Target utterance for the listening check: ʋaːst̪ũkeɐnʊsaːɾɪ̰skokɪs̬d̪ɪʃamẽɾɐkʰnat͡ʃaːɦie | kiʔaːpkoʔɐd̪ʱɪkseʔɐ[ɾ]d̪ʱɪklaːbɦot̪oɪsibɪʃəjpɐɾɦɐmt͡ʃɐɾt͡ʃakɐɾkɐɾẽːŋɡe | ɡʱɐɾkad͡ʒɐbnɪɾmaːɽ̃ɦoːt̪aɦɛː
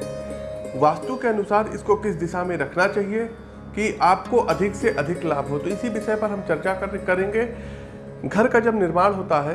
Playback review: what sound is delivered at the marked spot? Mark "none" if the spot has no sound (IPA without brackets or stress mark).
none